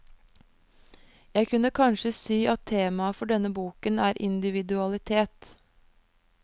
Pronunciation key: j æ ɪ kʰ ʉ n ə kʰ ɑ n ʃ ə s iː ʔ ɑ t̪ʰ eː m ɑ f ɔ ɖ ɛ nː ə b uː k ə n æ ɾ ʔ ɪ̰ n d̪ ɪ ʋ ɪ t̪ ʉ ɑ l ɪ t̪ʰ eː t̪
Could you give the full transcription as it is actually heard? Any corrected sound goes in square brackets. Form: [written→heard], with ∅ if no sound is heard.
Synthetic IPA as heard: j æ ɪ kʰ ʉ n ə kʰ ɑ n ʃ ə s iː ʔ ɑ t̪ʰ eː m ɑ f ɔ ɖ ɛ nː ə b uː k ə n [æ→æː] ɾ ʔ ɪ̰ n d̪ ɪ ʋ ɪ [t̪→d̪] ʉ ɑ l ɪ t̪ʰ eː t̪